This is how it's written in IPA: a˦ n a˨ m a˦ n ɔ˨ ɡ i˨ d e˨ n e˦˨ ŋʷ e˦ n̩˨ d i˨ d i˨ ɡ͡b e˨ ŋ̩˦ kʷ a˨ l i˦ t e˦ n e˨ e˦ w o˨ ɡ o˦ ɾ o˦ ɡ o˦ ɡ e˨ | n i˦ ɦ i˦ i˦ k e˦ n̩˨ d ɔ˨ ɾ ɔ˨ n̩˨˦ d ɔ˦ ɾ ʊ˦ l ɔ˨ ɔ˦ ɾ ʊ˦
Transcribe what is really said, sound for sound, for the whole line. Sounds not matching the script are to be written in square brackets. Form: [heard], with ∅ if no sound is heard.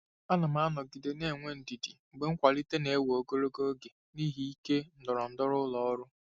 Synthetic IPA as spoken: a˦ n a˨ m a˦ n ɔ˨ ɡ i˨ d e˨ n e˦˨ ŋʷ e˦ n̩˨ d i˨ d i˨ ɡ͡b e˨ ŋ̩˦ kʷ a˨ l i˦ t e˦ n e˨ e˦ w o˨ ɡ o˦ ɾ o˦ ɡ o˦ ɡ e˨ | n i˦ ɦ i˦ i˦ k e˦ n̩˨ d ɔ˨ ɾ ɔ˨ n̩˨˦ d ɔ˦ ɾ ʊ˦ l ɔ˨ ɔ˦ ɾ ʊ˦